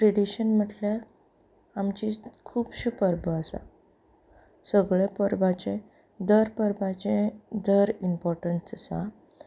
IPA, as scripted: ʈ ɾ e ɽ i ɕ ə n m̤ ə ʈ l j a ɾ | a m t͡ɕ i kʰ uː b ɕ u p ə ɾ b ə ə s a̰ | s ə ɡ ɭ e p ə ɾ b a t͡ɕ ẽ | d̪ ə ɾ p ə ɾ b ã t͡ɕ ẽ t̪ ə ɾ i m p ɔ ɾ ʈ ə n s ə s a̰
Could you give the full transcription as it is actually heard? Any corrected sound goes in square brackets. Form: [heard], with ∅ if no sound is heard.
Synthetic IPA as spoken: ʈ ɾ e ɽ i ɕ ə n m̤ ə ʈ l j a ɾ | a m t͡ɕ i kʰ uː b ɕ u p ə ɾ b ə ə s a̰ | s ə ɡ ɭ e p ə ɾ b a t͡ɕ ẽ | d̪ ə ɾ p ə ɾ b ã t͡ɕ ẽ [d̪] ə ɾ i m p ɔ ɾ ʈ ə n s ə s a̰